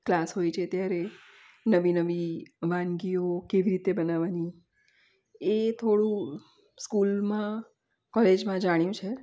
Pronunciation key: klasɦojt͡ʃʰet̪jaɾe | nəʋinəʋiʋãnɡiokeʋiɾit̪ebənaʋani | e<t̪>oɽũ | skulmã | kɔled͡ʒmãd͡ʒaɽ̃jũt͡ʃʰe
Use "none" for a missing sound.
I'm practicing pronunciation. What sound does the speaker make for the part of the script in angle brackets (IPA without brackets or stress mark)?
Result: t̪ʰ